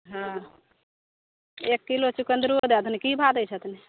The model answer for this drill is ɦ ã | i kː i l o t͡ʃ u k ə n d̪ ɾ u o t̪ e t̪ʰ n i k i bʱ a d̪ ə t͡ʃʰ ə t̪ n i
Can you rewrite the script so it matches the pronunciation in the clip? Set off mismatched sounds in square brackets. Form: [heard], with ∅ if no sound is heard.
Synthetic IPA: ɦ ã | [e] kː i l o t͡ʃ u k ə n d̪ ɾ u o [d̪] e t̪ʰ n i k i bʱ a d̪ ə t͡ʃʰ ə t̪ n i